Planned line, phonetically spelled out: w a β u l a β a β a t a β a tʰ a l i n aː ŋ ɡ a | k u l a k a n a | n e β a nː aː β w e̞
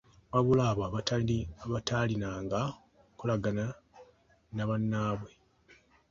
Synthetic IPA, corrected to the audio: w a β u l a β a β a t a β a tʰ a l i n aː ŋ ɡ a | k u l a ɡ a n a | n a β a nː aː β w e̞